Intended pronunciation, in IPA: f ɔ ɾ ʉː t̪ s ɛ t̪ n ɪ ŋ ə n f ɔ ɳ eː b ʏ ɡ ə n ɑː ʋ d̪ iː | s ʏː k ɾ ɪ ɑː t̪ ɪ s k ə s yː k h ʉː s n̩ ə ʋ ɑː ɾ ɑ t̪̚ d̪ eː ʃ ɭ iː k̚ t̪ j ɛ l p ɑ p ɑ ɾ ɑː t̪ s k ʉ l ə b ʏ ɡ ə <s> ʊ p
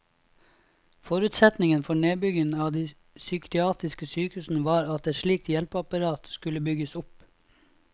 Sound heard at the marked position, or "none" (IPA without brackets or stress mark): s